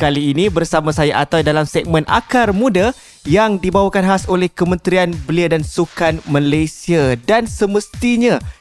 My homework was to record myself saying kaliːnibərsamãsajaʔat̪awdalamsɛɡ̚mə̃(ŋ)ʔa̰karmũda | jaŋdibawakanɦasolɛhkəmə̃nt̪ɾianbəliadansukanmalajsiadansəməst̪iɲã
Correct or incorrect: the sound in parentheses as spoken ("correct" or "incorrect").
incorrect